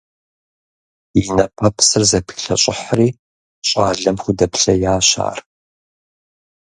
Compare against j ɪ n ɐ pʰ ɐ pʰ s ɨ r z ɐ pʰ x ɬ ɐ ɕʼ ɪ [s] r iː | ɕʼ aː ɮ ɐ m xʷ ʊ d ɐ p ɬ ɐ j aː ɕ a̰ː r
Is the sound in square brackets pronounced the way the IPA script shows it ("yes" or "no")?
no